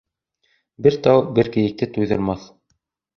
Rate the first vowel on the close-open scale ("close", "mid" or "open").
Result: mid